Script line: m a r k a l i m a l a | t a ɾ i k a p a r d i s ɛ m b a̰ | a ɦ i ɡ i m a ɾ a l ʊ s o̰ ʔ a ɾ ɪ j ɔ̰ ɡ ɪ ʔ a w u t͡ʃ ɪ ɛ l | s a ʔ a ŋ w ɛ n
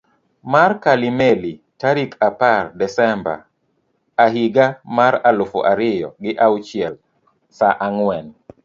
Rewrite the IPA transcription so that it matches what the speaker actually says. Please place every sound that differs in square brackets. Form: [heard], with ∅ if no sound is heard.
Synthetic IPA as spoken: m a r k a l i m [e] l [i] | t a ɾ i k a p a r d [ɛ] s ɛ m b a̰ | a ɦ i ɡ [a] m a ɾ a l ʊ [f] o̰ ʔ a ɾ ɪ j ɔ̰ ɡ ɪ ʔ a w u t͡ʃ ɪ ɛ l | s a ʔ a ŋ w ɛ n